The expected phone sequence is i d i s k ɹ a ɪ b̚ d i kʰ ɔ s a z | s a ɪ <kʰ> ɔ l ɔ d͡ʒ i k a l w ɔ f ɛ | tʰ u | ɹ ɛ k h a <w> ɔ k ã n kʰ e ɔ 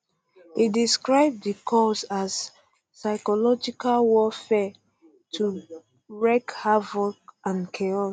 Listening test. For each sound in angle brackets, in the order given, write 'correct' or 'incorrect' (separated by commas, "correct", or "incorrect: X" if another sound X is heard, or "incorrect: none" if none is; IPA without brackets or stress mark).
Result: incorrect: k, incorrect: v